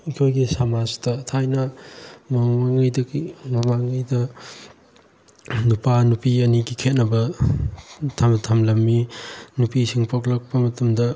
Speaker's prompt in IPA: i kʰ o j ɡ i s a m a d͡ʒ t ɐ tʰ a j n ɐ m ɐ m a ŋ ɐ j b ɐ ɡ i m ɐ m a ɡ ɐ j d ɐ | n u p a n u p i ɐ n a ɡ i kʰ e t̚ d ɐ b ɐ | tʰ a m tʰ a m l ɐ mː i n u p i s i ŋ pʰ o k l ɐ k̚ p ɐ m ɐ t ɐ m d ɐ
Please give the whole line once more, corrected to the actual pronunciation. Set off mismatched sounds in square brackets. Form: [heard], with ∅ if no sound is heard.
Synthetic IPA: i kʰ o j ɡ i s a m a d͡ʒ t ɐ tʰ a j n ɐ m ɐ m a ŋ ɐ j [d] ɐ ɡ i m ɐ m a [ŋ] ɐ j d ɐ | n u p a n u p i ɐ n [i] ɡ i kʰ e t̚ [n] ɐ b ɐ | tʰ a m tʰ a m l ɐ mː i n u p i s i ŋ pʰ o k l ɐ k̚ p ɐ m ɐ t ɐ m d ɐ

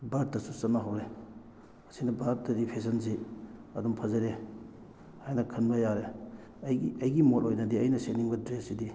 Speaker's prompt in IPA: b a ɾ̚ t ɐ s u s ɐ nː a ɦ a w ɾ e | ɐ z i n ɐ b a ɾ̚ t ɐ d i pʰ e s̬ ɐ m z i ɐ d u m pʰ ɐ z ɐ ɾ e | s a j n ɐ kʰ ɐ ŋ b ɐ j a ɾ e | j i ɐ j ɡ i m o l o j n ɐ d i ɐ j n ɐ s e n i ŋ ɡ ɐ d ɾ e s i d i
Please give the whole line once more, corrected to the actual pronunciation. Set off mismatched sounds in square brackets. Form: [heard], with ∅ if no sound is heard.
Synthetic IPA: b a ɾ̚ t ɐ s u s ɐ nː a ɦ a w ɾ e | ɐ [s] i n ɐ b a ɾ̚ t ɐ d i pʰ e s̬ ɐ [n] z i ɐ d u m pʰ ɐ z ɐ ɾ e | [h] a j n ɐ kʰ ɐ [n] b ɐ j a ɾ e | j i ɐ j ɡ i m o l o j n ɐ d i ɐ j n ɐ s e n i ŋ [b] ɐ d ɾ e s i d i

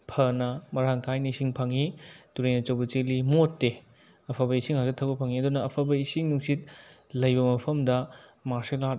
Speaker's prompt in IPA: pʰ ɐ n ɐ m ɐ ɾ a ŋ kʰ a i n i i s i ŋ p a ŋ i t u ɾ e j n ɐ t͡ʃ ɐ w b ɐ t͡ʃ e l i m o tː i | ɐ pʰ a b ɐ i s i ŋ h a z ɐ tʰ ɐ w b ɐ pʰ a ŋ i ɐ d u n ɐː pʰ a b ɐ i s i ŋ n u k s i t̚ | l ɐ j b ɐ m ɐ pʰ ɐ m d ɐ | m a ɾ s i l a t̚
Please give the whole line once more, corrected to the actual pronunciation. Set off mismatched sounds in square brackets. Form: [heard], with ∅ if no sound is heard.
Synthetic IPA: pʰ ɐ n ɐ m ɐ ɾ a ŋ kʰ a [j] n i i s i ŋ [pʰ] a ŋ i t u ɾ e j n ɐ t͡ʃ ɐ w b ɐ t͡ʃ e l i m o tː [e] | ɐ pʰ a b ɐ i s i ŋ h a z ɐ tʰ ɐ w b ɐ pʰ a ŋ i ɐ d u n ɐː pʰ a b ɐ i s i ŋ n u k s i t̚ | l ɐ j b ɐ m ɐ pʰ ɐ m d ɐ | m a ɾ s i l a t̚

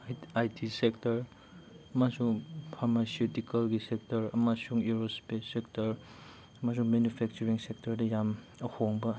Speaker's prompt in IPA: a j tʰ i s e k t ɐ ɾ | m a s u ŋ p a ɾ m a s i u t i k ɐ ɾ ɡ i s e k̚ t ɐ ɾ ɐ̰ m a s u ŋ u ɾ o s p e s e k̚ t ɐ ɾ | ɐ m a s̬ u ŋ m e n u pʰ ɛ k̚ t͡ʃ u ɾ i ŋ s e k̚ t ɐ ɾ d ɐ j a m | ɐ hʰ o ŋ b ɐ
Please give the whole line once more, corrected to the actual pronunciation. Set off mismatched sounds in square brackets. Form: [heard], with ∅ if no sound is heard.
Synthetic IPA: a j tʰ i s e k t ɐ ɾ | m a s u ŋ [pʰ] a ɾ m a s i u t i k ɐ [l] ɡ i s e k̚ t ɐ ɾ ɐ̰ m a s u ŋ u ɾ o s p e s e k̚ t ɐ ɾ | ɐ m a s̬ u ŋ m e n u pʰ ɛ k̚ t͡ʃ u ɾ i ŋ s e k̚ t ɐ ɾ d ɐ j a m | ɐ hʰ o ŋ b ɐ

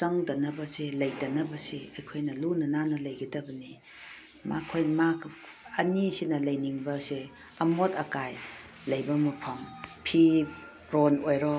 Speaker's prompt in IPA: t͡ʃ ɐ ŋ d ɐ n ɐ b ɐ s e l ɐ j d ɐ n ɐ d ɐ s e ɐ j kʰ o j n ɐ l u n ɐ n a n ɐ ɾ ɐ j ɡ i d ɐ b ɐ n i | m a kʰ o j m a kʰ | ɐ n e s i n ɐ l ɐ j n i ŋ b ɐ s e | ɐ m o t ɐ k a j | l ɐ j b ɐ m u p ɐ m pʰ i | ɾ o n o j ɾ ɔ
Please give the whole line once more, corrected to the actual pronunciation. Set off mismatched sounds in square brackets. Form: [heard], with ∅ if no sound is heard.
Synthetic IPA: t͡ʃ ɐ ŋ d ɐ n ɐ b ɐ s e l ɐ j d ɐ n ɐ [b] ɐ s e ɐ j kʰ o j n ɐ l u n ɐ n a n ɐ [l] ɐ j ɡ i d ɐ b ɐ n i | m a kʰ o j m a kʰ | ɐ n [i] s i n ɐ l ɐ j n i ŋ b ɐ s e | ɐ m o t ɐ k a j | l ɐ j b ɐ m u [pʰ] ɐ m pʰ i | ɾ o n o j ɾ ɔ

